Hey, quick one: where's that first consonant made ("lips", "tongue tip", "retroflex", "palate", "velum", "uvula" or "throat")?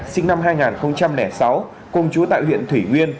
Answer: tongue tip